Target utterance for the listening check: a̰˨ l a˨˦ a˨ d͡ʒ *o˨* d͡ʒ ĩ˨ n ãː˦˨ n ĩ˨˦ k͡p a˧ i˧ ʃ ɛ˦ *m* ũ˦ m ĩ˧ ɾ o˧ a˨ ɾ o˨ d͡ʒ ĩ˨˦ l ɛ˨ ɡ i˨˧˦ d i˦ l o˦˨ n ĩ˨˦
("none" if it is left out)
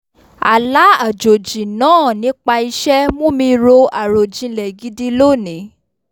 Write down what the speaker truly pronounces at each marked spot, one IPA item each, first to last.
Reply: o˨, m

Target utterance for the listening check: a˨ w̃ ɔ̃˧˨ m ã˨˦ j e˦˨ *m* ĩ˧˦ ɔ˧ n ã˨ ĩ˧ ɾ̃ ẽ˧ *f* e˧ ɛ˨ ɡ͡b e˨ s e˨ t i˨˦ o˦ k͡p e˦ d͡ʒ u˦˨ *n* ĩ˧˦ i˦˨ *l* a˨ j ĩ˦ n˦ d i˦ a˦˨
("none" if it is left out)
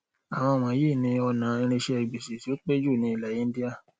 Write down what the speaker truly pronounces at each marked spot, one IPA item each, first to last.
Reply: n, ʃ, n, l

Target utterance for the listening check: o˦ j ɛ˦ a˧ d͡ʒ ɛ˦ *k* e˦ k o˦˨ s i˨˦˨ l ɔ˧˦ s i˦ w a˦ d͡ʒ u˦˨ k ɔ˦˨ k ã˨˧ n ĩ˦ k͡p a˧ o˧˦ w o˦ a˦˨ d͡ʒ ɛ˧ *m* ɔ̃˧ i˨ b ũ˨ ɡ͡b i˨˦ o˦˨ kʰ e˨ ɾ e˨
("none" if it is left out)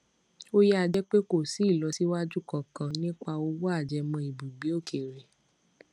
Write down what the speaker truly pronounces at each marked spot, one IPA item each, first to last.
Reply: k͡p, m

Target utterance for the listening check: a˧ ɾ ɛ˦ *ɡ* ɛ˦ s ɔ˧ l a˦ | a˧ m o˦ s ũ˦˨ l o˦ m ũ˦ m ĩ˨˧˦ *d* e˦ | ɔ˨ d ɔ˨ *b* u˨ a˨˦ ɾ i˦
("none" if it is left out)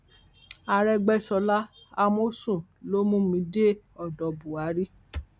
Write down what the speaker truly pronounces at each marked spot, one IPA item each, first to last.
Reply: ɡ͡b, d, b

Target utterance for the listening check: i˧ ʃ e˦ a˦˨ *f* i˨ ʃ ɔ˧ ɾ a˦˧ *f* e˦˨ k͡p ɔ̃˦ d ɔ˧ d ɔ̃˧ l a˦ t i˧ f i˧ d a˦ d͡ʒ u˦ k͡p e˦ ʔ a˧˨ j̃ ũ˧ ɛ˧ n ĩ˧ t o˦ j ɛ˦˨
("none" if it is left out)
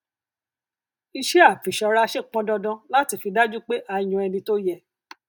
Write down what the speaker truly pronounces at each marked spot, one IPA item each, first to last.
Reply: f, ʃ

